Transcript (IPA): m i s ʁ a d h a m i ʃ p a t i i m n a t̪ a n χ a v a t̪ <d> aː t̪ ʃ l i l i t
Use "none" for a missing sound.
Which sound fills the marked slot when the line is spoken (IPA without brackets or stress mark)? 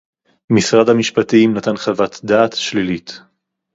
d